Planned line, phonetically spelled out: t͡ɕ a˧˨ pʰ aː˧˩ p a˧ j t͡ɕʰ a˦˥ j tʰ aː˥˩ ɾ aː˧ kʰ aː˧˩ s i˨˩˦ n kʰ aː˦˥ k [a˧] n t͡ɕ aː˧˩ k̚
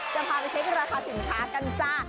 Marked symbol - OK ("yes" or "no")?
yes